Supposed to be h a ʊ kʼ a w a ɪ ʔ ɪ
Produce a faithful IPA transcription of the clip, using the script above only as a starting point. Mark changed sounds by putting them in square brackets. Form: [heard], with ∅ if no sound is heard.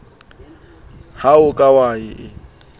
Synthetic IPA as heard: h a ʊ kʼ a w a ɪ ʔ ɪ